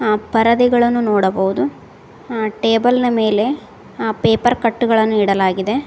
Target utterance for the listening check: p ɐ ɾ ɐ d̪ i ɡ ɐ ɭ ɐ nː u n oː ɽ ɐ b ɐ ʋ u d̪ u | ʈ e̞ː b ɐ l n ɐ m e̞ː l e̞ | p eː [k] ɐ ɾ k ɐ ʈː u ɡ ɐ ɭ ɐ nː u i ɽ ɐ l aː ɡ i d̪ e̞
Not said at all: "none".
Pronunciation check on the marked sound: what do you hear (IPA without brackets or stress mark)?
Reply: p